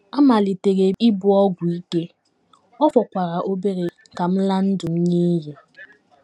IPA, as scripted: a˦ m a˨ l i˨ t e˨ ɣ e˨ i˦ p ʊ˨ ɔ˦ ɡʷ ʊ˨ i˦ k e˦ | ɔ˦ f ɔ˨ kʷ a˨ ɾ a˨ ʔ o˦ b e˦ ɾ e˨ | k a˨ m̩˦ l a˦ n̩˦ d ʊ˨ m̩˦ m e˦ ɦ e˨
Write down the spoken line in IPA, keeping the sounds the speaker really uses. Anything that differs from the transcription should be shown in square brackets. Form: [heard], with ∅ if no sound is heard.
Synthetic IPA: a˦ m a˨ l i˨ t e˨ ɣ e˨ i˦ [b] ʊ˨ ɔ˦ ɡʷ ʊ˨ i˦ k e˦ | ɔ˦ f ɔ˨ kʷ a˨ ɾ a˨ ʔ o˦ b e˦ ɾ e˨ | k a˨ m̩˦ l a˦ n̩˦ d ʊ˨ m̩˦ [ɲ] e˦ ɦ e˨

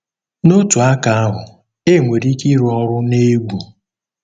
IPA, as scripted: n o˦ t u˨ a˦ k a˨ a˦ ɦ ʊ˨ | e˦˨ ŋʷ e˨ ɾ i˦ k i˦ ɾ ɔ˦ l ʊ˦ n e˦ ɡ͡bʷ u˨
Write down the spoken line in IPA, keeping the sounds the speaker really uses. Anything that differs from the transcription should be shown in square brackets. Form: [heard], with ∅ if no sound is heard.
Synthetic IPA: n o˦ t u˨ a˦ k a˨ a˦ ɦ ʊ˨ | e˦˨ ŋʷ e˨ ɾ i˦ k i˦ ɾ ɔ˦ [ɾ] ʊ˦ n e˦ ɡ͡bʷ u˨

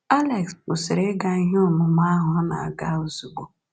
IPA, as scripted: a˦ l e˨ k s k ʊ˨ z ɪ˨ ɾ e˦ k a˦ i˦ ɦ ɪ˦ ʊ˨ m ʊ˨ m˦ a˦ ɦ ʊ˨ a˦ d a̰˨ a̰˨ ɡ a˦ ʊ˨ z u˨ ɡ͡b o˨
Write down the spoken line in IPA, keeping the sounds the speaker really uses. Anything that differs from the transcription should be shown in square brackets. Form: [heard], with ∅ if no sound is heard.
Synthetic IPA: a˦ l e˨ k s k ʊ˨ [s] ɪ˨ ɾ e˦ [ɡ] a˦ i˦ ɦ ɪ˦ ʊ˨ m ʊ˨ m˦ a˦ ɦ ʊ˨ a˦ [n] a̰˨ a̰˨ ɡ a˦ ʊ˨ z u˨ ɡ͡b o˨

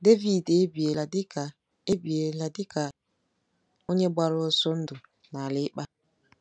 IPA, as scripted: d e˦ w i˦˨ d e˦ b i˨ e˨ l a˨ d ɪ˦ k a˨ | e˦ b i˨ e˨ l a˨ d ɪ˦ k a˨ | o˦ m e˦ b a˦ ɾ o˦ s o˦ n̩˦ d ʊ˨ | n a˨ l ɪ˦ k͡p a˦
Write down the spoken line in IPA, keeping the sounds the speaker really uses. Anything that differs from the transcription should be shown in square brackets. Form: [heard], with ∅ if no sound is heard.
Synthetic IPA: d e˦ [v] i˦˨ d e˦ b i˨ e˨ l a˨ d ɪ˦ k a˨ | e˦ b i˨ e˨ l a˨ d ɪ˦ k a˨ | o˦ [ɲ] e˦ b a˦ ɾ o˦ s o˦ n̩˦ d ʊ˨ | n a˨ l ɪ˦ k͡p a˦

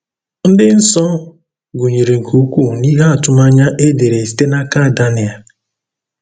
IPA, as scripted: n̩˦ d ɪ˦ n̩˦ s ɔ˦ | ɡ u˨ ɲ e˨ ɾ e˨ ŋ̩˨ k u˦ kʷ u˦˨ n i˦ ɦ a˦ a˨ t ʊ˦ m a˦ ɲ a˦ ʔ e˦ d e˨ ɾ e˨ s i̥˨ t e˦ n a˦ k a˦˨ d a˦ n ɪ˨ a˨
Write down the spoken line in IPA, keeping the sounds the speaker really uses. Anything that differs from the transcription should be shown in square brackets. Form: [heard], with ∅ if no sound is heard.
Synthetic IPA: n̩˦ d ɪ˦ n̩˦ s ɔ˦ | ɡ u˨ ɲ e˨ ɾ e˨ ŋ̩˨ k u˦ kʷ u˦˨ n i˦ ɦ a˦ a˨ t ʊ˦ m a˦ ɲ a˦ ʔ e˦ d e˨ ɾ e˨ s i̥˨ t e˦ n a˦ k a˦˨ d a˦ n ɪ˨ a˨

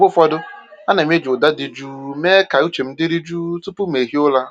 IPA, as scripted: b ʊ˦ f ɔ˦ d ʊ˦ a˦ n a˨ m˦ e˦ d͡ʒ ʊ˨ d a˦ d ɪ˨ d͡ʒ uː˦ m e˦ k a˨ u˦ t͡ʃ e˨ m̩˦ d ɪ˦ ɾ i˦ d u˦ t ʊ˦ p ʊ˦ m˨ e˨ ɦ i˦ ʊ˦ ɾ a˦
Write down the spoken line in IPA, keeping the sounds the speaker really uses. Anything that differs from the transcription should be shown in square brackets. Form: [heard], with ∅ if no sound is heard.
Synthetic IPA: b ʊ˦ f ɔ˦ d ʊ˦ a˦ n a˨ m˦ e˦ d͡ʒ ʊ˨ d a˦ d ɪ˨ d͡ʒ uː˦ m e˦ k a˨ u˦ t͡ʃ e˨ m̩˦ d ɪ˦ ɾ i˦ [d͡ʒ] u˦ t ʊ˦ p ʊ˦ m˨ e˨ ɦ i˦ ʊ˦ [l] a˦

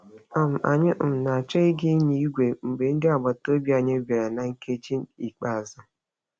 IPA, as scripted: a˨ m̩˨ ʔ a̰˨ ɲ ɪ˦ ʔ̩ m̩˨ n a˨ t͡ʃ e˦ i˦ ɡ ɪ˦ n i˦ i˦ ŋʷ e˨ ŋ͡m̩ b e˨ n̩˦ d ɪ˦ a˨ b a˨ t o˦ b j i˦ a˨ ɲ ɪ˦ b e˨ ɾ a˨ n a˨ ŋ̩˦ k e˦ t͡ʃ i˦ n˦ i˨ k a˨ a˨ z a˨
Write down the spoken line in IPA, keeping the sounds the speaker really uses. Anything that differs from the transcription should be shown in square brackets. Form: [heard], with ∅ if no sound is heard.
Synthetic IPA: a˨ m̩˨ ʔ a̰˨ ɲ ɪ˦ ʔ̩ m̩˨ n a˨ t͡ʃ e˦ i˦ ɡ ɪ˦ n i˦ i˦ [ɡʷ] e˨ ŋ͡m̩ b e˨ n̩˦ d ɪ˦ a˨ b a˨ t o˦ b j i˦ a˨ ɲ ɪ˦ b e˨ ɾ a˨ n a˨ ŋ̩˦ k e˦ t͡ʃ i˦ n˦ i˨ [k͡p] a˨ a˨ z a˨

